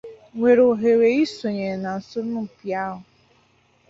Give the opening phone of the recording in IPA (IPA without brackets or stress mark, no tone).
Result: ŋʷ